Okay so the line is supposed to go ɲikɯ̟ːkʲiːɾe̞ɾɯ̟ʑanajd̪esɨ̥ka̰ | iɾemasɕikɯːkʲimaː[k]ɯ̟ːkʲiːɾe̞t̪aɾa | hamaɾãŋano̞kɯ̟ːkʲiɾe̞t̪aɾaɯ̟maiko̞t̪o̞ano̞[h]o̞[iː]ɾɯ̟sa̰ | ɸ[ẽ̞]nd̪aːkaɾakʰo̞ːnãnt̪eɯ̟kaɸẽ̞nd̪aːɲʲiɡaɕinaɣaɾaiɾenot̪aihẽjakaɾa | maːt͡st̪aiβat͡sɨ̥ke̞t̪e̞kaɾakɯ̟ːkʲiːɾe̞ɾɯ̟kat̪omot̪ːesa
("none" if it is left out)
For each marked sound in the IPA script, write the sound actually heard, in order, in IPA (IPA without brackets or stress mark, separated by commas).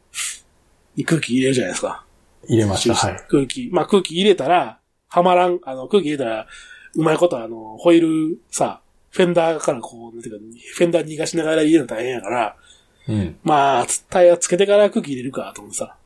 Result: k, h, i, ẽ̞